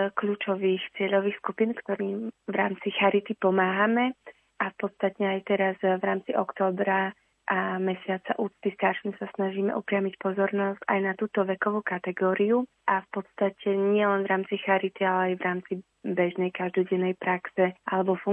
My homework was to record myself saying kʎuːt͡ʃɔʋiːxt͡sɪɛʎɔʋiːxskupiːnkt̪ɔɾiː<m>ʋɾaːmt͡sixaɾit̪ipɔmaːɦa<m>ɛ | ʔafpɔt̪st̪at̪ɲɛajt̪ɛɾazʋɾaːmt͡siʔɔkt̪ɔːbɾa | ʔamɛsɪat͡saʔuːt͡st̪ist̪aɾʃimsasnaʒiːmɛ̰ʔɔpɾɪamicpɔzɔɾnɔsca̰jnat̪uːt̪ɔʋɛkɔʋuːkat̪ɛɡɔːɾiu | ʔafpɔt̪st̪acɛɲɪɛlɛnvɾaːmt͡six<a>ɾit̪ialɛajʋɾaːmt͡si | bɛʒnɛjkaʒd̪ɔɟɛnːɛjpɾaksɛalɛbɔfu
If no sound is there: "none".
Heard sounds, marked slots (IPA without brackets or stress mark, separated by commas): m, m, a